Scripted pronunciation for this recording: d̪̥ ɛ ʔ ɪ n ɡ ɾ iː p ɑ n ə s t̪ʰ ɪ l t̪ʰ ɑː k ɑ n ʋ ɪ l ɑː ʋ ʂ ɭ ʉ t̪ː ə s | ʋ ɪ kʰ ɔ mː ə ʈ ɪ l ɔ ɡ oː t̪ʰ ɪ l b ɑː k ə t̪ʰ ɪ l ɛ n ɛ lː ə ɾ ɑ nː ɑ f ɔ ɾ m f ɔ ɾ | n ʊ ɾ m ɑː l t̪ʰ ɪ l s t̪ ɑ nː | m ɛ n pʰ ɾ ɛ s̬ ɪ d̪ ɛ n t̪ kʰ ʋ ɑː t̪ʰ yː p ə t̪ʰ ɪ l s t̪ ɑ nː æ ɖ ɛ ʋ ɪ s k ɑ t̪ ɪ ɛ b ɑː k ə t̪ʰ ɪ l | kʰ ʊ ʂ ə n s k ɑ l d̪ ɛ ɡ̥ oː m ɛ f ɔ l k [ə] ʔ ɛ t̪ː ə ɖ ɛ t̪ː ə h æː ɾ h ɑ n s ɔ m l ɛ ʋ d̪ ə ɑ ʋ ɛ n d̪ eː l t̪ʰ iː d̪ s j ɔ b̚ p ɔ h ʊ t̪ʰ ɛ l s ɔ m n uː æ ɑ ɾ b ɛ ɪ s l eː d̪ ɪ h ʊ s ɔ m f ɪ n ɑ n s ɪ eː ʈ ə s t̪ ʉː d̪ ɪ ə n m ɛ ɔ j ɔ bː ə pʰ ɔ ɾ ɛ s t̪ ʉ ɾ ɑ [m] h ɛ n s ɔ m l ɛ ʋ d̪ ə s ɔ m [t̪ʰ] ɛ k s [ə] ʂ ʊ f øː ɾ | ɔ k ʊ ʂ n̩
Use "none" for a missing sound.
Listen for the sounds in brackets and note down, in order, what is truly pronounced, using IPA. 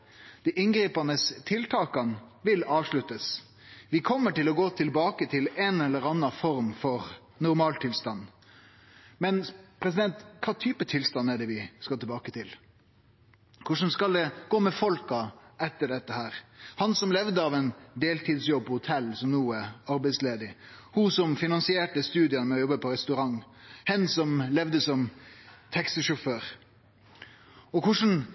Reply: ɑ, ŋ, t̪ʰ, ə

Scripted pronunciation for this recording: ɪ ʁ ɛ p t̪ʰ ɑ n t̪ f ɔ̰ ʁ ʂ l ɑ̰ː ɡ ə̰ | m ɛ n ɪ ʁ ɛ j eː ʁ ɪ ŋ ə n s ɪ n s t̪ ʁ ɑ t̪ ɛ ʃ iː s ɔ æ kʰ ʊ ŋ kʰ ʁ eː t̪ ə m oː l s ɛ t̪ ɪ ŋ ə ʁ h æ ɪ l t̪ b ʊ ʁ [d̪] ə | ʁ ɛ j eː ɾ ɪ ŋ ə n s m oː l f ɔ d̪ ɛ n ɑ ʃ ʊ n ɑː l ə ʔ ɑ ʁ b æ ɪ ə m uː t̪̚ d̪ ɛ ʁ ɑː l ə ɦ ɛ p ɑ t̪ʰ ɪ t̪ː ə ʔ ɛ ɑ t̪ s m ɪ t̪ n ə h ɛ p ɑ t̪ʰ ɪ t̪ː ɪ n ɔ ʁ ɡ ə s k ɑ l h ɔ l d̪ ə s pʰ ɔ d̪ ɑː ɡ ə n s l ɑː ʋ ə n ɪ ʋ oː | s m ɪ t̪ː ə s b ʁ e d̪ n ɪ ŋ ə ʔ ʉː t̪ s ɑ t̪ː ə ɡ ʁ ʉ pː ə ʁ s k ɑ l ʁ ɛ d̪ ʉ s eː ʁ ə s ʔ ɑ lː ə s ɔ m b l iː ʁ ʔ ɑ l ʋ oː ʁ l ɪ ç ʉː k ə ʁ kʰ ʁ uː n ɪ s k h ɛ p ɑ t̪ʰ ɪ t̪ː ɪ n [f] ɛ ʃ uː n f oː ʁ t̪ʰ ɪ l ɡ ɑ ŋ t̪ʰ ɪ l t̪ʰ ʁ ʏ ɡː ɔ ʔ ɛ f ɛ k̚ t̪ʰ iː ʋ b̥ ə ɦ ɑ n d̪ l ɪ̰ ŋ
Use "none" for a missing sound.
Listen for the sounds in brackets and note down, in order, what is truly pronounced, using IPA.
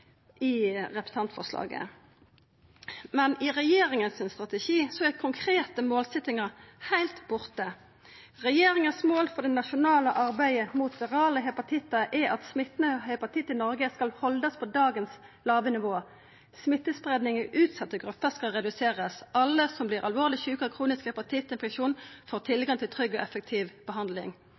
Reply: t̪, f

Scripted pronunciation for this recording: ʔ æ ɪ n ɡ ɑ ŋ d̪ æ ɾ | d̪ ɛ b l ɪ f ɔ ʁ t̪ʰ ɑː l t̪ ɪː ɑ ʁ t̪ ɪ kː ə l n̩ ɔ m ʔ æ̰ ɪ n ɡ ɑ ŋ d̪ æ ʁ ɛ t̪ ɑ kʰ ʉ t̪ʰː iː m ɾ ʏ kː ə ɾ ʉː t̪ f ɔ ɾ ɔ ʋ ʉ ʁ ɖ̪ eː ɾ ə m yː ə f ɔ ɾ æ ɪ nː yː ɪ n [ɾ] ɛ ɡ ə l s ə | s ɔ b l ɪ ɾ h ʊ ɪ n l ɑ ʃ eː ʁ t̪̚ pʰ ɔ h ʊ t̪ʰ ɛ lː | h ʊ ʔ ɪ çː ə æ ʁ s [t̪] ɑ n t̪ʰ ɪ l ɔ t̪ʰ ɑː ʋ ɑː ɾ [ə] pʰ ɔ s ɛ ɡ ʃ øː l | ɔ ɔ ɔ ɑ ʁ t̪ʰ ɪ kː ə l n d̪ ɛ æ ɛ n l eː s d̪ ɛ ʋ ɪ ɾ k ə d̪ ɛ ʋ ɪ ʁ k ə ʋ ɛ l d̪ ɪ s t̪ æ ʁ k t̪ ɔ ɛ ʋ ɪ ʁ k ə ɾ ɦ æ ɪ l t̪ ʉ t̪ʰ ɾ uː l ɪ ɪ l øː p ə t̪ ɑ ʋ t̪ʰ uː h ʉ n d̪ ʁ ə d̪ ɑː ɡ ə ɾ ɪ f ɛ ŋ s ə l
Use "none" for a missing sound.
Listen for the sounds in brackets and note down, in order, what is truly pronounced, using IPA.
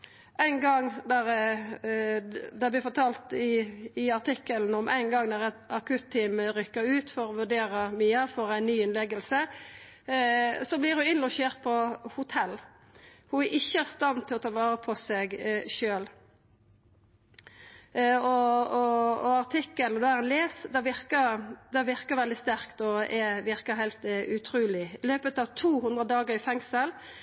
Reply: l, t̪, ə

